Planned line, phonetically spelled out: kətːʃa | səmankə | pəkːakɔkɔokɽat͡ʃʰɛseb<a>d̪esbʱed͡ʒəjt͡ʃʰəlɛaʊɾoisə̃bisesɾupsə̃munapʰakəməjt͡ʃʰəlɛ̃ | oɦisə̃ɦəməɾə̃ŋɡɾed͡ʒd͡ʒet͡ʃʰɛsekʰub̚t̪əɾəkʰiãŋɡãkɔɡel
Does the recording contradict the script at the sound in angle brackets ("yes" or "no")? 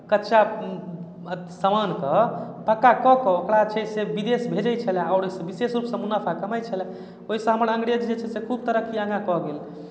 yes